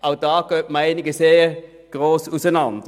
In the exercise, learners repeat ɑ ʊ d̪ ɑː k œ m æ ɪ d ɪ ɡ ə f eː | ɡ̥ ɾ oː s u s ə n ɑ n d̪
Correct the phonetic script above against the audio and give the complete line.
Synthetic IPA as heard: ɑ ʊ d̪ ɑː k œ m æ ɪ n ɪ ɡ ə s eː | ɡ̥ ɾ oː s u s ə n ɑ n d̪